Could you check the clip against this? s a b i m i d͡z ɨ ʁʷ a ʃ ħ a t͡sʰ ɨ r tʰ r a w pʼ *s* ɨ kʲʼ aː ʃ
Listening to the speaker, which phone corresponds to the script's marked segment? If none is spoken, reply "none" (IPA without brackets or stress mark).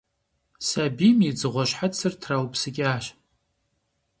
s